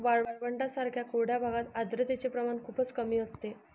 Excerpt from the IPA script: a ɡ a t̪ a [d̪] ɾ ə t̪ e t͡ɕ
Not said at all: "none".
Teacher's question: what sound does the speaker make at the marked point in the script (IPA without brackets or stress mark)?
d̪